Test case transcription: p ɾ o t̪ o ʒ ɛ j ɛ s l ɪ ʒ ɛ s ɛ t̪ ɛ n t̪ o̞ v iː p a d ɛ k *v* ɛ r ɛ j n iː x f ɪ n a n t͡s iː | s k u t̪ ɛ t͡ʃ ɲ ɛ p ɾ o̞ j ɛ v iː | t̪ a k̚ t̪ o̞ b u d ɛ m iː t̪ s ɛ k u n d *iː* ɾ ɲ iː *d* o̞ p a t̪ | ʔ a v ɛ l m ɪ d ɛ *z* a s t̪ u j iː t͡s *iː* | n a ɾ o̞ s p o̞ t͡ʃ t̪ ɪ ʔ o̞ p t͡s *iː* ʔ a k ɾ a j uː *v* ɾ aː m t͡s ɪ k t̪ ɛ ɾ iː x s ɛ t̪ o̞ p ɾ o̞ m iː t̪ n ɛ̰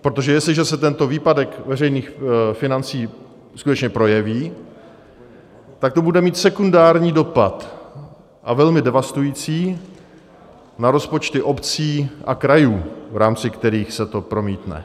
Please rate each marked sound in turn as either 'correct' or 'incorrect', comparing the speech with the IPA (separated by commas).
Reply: correct, incorrect, correct, incorrect, correct, correct, correct